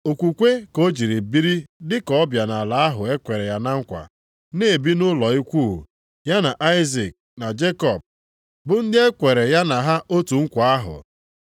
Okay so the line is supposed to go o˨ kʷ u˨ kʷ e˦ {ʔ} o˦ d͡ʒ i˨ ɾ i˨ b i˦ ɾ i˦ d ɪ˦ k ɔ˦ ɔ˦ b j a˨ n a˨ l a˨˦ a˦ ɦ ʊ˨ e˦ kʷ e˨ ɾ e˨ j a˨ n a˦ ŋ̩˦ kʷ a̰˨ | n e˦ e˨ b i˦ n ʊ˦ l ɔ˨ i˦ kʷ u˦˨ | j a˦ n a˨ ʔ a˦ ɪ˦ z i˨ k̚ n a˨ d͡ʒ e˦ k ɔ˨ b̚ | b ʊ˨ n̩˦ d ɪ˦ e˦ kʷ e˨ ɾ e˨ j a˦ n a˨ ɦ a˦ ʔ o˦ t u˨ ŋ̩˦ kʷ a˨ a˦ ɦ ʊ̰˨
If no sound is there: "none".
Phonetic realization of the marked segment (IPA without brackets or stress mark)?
k